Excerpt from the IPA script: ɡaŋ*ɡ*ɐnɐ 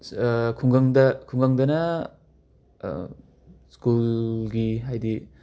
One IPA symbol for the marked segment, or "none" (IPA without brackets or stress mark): d